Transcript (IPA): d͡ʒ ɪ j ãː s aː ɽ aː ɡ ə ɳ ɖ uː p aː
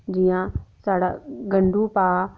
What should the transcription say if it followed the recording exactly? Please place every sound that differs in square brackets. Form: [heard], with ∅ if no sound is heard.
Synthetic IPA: d͡ʒ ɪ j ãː s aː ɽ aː ɡ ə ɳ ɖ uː p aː